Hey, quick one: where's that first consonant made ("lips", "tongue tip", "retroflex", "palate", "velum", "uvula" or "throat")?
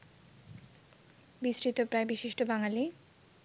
lips